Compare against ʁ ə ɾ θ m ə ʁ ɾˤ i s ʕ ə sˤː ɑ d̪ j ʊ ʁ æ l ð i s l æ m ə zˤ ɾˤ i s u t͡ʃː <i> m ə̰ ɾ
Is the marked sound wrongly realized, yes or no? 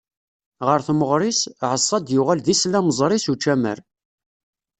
yes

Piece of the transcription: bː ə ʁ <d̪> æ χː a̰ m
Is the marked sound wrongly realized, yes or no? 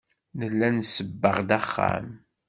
no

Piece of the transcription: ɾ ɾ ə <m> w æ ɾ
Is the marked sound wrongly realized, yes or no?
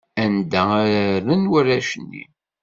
yes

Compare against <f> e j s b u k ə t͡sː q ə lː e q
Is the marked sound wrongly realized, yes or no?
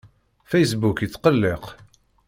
no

